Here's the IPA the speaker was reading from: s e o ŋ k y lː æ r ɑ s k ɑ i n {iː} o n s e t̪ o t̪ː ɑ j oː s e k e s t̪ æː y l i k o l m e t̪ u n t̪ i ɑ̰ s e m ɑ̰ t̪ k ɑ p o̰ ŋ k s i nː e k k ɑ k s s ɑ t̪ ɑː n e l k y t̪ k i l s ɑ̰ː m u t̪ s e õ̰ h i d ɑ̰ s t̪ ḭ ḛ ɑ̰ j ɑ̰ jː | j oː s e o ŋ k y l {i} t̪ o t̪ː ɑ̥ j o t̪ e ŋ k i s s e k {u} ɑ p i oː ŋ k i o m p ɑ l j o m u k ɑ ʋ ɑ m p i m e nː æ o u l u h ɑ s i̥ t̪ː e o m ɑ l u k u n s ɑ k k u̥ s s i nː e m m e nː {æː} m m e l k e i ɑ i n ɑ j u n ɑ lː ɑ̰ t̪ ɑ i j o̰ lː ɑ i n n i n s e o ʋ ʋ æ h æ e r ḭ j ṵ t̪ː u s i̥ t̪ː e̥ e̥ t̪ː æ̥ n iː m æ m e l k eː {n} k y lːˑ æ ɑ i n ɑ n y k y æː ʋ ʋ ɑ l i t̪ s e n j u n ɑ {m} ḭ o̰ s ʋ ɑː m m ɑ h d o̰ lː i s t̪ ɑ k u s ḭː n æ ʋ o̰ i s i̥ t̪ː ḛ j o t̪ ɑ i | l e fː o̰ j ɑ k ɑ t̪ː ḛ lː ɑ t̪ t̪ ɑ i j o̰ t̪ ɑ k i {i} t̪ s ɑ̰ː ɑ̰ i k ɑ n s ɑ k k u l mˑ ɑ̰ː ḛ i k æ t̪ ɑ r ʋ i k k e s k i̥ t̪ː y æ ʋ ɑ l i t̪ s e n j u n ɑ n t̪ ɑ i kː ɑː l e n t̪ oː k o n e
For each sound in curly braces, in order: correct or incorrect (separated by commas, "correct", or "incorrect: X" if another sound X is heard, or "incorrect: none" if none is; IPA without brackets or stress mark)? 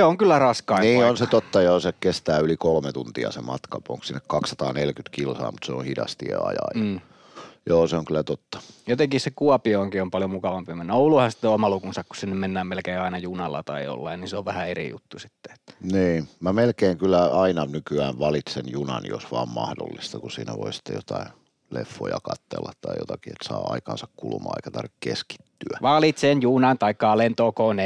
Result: correct, incorrect: æ, correct, correct, incorrect: ŋ, incorrect: n, incorrect: e